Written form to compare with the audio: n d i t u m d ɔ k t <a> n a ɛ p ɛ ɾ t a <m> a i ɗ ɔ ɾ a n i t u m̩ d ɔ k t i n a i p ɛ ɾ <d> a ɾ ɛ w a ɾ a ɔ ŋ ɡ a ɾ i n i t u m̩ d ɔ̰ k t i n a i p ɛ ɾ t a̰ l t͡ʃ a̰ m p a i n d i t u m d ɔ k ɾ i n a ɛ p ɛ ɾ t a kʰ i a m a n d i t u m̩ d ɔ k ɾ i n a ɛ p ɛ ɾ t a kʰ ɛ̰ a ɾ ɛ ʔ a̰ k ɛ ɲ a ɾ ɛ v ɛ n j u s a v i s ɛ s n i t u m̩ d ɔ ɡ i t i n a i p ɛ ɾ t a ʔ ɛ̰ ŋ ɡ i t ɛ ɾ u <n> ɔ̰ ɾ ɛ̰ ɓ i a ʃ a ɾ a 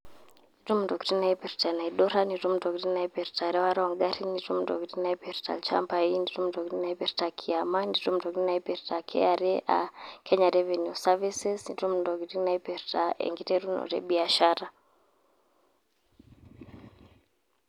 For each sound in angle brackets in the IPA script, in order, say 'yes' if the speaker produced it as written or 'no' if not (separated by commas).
no, no, no, yes